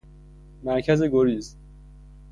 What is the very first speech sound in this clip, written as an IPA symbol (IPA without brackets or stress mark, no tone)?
m